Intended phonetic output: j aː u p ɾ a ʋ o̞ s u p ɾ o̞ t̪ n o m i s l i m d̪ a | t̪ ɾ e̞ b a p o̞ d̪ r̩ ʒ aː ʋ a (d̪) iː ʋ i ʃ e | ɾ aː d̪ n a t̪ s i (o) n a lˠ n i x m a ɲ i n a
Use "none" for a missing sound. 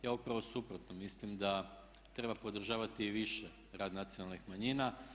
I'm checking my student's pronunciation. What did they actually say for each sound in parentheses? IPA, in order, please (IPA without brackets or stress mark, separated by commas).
t̪, o